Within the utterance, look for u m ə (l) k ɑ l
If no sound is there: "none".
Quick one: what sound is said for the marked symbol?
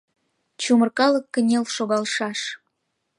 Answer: r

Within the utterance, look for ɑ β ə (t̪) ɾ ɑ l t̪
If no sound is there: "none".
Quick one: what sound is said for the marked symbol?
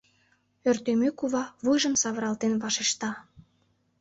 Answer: none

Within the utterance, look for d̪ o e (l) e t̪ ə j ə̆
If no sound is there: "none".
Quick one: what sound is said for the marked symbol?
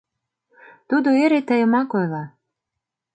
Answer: ɾ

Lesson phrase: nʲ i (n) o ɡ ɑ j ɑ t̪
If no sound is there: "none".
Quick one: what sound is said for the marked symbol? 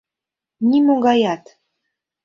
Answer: m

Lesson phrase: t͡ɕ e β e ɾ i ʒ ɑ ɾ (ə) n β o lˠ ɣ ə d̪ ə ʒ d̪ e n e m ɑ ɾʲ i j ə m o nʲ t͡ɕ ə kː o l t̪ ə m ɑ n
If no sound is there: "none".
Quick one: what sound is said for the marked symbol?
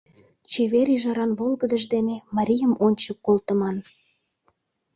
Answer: ɑ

